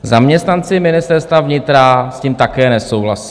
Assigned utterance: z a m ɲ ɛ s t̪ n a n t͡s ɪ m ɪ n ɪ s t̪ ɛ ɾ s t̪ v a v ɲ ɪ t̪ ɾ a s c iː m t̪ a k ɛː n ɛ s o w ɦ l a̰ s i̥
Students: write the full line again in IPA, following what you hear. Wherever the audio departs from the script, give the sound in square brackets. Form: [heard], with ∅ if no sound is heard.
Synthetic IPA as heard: z a m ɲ ɛ s t̪ n a n t͡s ɪ m ɪ n ɪ s t̪ ɛ ɾ s t̪ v a v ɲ ɪ t̪ ɾ a s c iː m t̪ a k ɛː n ɛ s o w ɦ l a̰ s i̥